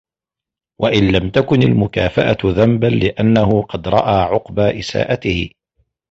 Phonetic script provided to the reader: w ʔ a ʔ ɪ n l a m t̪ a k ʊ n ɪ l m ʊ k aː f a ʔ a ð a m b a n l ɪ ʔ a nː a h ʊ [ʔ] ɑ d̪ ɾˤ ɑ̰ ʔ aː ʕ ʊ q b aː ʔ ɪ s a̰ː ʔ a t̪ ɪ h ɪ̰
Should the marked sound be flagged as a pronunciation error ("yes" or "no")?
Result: yes